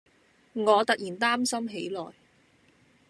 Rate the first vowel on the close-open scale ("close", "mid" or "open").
mid